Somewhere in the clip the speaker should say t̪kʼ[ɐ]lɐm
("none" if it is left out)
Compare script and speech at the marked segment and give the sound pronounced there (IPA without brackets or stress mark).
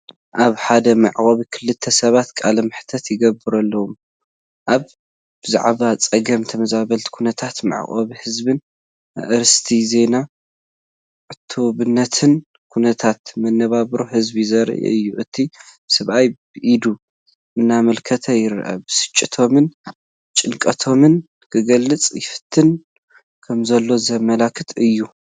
a